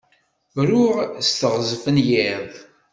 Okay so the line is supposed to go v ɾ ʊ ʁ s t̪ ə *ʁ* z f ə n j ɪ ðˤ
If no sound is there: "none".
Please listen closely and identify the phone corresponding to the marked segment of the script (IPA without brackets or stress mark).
ʁ